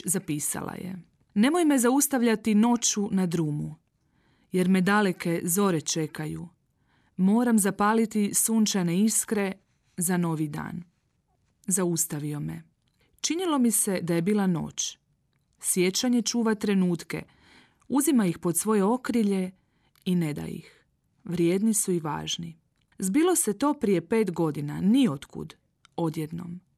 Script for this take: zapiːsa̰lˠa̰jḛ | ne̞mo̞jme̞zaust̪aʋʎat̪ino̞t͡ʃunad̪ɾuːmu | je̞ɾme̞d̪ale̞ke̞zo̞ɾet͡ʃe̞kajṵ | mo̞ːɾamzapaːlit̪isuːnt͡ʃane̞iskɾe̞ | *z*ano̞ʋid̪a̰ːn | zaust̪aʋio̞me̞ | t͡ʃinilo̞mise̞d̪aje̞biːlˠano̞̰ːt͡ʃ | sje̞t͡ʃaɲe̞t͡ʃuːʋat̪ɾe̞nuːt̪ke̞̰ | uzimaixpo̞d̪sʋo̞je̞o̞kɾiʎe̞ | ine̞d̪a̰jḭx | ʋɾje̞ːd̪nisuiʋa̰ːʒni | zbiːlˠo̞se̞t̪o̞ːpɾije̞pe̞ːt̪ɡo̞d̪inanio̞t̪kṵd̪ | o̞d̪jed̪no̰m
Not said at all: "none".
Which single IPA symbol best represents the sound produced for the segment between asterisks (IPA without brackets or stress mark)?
z